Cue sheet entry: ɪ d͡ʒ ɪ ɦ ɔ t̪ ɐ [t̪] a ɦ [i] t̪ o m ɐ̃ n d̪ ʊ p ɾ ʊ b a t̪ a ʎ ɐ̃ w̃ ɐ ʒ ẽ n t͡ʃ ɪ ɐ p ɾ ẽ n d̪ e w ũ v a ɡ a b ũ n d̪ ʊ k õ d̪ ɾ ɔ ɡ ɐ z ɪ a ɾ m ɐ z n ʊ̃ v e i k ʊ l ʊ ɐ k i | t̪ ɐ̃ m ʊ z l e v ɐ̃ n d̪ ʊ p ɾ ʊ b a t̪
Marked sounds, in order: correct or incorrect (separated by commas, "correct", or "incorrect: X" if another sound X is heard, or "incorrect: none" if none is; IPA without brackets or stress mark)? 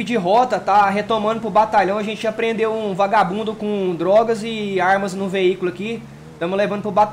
correct, incorrect: e